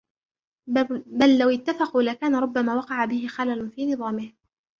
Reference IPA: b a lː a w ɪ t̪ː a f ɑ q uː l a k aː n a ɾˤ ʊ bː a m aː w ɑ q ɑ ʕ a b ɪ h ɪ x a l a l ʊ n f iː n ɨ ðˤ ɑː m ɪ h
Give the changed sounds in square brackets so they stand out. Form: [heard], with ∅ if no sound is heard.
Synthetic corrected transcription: b a lː a w ɪ t̪ː a f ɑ q uː l a k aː n a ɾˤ ʊ bː a m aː w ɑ q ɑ ʕ a b ɪ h ɪ x a l a l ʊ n f iː n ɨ ðˤ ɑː m ɪ h